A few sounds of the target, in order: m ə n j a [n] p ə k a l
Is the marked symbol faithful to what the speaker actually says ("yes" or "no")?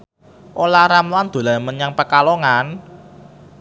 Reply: no